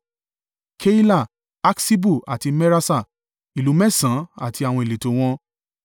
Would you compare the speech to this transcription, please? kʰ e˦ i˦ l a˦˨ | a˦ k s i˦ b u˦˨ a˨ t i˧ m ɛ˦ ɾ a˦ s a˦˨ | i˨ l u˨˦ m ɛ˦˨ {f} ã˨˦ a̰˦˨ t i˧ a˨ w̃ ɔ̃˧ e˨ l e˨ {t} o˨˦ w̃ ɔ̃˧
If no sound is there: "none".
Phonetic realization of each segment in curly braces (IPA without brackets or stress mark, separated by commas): s, t